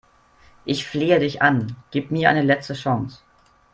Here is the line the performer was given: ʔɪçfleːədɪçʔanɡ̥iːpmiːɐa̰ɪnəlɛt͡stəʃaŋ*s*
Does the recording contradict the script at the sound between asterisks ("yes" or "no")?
no